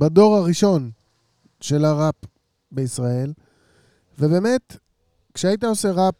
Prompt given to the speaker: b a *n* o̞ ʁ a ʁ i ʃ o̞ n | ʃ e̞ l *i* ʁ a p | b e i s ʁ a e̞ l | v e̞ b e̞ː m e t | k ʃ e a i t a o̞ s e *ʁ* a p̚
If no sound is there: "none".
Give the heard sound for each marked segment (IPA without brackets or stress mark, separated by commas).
d, a, ʁ